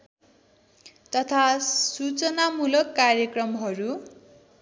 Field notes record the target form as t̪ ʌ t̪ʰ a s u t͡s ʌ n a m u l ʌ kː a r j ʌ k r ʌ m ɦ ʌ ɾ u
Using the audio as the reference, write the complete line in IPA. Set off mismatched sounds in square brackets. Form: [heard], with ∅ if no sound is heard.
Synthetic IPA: t̪ ʌ t̪ʰ a s u t͡s ʌ n a m u l ʌ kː a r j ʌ k r ʌ m ɦ ʌ ɾ u